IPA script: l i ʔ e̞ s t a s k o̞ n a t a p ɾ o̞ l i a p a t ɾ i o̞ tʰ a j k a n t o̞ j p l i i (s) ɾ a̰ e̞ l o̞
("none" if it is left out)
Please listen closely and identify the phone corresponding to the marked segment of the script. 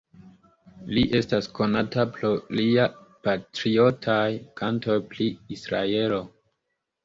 s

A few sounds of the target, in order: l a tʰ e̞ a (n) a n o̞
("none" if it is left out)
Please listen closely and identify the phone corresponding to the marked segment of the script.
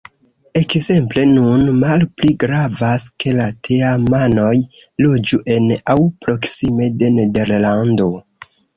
m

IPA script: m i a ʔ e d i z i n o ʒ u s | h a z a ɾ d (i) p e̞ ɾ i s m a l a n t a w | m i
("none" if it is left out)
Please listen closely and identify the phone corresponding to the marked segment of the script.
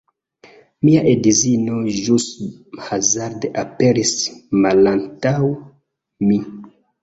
a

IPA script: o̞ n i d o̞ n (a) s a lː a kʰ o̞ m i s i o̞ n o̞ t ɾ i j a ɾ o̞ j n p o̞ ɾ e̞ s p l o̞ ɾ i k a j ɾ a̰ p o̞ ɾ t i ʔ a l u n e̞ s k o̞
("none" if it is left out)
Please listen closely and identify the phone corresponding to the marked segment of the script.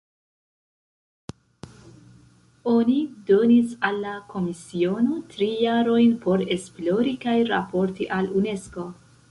i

